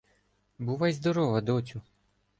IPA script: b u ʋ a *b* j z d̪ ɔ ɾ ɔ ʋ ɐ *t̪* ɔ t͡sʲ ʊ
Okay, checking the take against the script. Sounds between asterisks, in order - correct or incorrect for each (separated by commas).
incorrect, incorrect